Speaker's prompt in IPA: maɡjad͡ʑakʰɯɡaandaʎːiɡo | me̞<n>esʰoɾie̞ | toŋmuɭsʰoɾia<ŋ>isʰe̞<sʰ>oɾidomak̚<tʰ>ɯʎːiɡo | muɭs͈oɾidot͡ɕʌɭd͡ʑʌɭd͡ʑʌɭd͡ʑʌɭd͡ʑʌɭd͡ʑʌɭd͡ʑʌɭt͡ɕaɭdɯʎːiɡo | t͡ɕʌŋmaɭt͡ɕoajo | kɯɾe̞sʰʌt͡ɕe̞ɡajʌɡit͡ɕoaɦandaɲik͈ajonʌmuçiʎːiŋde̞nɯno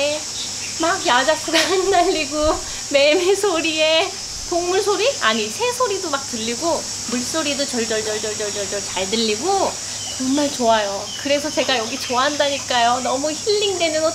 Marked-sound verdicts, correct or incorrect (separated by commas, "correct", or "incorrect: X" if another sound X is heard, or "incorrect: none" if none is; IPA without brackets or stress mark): incorrect: m, incorrect: ɲ, correct, incorrect: t